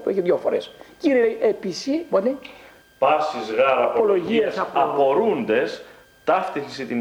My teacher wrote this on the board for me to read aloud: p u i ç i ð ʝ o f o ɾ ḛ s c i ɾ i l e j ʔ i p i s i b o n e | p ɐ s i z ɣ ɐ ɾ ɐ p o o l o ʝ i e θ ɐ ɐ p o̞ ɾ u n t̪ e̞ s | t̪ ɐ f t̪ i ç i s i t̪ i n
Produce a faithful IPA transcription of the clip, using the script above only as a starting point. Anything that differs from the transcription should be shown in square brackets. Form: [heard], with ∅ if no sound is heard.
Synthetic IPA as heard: p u [e] ç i ð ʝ o f o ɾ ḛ s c i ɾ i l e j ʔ [e] p i s i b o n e | p ɐ s i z ɣ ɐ ɾ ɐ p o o l o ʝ i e [s] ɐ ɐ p o̞ ɾ u n [d̪] e̞ s | t̪ ɐ f t̪ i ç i s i t̪ i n